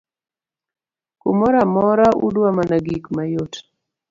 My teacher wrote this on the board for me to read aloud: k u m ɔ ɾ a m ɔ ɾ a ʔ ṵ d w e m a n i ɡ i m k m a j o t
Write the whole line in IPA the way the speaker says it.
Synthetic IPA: k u m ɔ ɾ a m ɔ ɾ a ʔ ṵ d w a m a n a ɡ i k m a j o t